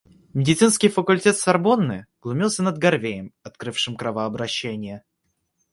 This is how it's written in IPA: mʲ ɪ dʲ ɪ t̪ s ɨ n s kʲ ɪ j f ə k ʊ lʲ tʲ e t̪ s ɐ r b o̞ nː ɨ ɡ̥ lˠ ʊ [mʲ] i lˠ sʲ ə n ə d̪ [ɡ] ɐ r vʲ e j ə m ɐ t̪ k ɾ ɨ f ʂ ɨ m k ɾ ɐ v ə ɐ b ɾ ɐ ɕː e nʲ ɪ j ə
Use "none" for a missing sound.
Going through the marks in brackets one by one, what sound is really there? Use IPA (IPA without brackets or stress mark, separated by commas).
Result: mʲ, ɡ